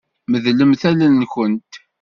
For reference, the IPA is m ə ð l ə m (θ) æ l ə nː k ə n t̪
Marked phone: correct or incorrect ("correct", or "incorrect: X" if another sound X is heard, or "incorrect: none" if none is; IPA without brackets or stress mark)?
correct